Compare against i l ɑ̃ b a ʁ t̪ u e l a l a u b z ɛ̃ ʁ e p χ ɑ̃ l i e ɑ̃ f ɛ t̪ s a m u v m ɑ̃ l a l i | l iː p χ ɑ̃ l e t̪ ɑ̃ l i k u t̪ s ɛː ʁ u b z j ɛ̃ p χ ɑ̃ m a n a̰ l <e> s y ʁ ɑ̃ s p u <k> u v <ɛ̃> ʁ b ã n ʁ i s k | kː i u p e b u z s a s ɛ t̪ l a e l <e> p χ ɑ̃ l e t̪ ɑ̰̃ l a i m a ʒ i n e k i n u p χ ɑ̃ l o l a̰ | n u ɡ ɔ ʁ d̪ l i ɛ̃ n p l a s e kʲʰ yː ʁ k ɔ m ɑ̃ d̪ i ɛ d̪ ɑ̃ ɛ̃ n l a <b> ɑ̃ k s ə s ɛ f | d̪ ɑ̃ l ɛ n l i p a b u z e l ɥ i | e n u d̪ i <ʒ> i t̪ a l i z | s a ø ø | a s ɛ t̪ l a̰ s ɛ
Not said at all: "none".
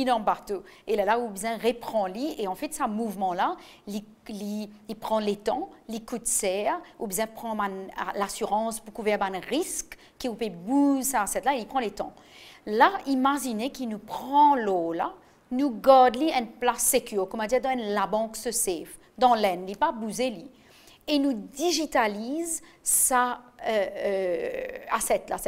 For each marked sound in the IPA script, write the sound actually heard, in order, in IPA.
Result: a, k, ɛ, i, b, ʒ

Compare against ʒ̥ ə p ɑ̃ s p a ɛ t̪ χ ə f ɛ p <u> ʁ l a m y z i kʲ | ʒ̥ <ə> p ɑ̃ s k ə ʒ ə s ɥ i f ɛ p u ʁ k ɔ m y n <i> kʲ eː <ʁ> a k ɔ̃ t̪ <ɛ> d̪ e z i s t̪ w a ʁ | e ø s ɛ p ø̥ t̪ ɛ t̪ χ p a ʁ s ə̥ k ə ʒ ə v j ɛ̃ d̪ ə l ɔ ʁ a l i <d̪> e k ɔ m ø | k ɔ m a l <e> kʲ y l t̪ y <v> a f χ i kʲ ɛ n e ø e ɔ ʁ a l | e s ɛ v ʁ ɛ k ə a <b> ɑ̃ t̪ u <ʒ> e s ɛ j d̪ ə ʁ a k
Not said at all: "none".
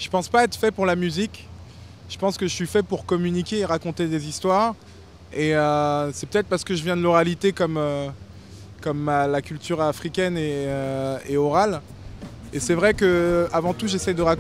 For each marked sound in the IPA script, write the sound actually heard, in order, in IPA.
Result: u, ə, i, ʁ, e, t̪, a, ʁ, v, ʒ

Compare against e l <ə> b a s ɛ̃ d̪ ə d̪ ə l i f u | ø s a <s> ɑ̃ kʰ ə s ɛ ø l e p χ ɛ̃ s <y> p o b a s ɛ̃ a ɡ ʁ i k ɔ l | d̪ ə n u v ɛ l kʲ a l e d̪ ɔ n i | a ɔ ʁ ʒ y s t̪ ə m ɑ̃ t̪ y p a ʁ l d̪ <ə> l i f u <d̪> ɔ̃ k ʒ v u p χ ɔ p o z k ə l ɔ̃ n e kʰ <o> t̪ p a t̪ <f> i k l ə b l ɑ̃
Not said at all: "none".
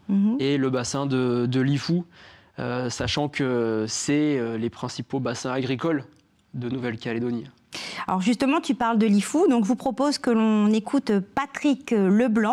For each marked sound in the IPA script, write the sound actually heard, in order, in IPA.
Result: ə, ʃ, i, ə, d̪, u, χ

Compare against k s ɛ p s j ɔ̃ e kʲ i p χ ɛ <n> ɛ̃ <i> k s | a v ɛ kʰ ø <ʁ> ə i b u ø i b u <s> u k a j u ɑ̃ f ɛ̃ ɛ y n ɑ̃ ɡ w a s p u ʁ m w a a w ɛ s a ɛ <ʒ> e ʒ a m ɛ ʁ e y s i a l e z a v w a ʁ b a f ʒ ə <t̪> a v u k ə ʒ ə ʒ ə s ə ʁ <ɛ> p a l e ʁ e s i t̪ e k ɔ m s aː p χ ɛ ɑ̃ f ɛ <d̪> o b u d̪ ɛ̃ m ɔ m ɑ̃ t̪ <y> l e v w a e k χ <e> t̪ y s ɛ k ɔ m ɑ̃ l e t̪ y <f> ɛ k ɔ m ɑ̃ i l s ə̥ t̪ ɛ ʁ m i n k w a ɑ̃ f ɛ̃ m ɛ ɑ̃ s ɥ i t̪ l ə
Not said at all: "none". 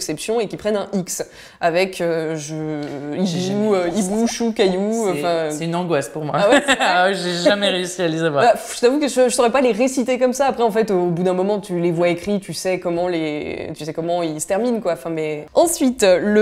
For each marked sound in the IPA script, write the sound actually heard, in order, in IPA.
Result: n, i, ʒ, ʃ, ʒ, t̪, ɛ, t̪, y, i, s

